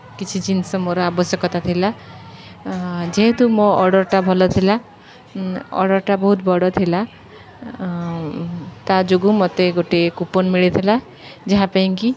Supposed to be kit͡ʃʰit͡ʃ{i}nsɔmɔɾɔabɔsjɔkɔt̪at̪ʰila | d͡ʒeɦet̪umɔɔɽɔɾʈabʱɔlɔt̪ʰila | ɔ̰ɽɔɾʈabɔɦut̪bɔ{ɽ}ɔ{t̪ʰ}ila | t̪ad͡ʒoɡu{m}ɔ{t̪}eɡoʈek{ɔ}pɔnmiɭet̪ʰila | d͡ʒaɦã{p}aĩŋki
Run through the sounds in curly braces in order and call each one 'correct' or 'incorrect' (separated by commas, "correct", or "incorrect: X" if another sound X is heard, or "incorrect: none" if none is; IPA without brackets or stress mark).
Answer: correct, correct, correct, correct, correct, incorrect: u, correct